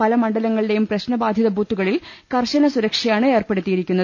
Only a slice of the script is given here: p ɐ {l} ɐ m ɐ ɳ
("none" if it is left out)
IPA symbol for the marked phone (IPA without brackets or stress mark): l